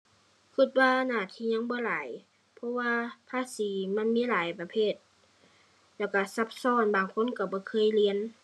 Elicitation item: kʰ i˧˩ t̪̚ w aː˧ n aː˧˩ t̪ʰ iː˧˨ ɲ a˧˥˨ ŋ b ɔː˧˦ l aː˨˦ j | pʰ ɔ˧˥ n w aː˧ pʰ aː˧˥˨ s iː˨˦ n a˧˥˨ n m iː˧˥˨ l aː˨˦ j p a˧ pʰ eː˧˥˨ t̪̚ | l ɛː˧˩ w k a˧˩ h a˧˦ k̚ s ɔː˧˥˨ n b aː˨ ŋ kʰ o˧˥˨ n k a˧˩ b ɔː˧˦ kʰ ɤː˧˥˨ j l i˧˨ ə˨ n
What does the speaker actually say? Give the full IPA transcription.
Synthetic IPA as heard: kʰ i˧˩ t̪̚ w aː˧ n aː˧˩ t̪ʰ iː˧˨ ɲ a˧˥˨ ŋ b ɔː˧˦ l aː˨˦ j | pʰ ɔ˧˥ w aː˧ pʰ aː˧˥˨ s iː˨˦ m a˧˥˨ n m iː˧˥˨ l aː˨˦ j p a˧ pʰ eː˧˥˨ t̪̚ | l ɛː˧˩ w k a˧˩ s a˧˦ p̚ s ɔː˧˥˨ n b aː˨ ŋ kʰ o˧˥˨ n k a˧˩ b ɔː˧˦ kʰ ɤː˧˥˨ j l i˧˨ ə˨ n

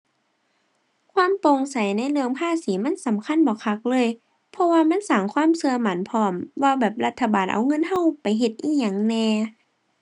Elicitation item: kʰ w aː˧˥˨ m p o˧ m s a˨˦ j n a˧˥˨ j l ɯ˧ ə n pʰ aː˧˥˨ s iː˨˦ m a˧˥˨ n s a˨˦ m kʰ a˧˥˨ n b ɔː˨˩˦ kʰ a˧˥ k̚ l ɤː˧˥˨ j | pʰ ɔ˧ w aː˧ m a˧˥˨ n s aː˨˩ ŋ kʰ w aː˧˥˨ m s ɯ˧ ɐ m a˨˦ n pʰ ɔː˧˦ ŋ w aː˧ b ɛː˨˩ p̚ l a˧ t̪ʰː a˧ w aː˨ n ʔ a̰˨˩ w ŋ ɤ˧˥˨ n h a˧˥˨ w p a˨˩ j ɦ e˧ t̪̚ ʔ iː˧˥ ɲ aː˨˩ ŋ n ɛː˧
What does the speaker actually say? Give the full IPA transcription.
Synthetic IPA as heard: kʰ w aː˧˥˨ m p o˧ ŋ s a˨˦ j n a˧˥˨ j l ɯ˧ ə ŋ pʰ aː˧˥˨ s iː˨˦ m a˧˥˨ n s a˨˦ m kʰ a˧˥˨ n b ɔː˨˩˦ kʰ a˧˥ k̚ l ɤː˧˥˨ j | pʰ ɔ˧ w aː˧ m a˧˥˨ n s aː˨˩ ŋ kʰ w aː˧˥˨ m s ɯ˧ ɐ m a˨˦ n pʰ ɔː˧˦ m w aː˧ b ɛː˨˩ p̚ l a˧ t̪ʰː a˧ b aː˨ n ʔ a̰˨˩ w ŋ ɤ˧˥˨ n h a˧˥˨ w p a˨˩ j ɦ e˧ t̪̚ ʔ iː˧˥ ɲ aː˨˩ ŋ n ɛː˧

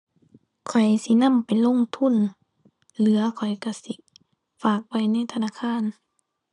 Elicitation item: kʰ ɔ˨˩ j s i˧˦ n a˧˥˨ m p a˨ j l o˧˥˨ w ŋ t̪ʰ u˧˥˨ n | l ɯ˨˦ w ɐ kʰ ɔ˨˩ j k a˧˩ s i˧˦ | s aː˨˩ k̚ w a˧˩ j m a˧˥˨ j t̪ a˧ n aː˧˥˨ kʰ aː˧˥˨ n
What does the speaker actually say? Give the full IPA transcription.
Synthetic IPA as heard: kʰ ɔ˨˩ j s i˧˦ n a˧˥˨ m p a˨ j l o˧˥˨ ŋ t̪ʰ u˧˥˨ n | l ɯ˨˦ ɐ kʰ ɔ˨˩ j k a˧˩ s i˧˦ | f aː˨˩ k̚ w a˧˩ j n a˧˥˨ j t̪ʰ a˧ n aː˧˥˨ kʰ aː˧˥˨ n

